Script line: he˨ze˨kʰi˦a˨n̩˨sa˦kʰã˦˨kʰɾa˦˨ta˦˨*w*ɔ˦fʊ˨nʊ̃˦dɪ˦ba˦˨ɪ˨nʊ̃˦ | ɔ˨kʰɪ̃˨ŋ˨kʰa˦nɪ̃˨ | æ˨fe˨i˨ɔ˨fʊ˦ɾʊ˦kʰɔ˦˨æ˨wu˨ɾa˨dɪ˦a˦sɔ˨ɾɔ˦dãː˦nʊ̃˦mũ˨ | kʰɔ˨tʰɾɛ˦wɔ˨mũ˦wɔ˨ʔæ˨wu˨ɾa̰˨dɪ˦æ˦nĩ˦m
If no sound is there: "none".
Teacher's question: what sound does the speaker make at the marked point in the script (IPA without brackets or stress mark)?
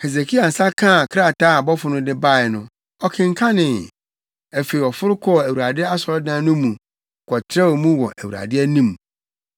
b